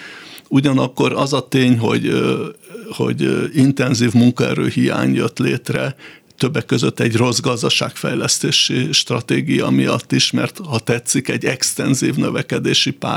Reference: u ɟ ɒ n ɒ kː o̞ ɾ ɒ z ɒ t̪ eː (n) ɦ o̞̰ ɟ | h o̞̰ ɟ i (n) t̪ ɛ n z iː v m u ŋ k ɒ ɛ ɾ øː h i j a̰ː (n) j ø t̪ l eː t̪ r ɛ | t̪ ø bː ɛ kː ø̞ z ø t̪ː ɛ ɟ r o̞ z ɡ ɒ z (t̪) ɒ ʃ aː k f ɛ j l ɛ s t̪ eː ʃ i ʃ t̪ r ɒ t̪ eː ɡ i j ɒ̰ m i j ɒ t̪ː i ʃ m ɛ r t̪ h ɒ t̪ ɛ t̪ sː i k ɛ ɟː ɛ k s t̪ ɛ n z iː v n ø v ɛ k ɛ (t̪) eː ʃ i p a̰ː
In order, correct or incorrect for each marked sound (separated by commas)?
incorrect, correct, incorrect, incorrect, incorrect